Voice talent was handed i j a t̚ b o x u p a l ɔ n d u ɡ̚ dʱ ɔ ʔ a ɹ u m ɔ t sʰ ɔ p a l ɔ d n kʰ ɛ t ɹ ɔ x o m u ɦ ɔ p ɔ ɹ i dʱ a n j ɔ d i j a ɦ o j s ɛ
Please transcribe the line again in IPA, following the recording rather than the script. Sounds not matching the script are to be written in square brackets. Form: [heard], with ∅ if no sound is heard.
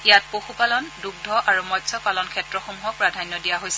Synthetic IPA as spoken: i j a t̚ [p] o x u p a l ɔ n d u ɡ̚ dʱ ɔ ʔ a ɹ u m ɔ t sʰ ɔ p a l ɔ [∅] n kʰ ɛ t ɹ ɔ x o m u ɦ ɔ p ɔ ɹ [a] dʱ a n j ɔ d i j a ɦ o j s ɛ